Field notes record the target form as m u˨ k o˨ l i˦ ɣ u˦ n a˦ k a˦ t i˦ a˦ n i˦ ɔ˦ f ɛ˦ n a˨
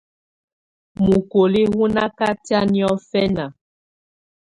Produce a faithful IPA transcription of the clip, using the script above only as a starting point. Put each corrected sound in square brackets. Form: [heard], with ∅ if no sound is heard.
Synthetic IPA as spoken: m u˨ k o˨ l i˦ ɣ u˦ n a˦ k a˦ t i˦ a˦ n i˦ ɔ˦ f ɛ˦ n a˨